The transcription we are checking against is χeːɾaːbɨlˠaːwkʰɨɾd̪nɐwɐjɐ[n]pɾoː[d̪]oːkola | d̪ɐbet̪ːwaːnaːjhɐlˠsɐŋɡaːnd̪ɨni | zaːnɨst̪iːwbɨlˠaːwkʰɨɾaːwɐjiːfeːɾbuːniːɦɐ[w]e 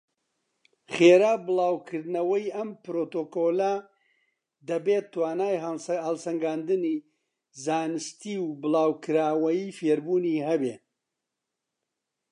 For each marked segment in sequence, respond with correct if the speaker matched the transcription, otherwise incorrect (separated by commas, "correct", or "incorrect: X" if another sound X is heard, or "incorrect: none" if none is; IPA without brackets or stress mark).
incorrect: m, incorrect: t̪, incorrect: b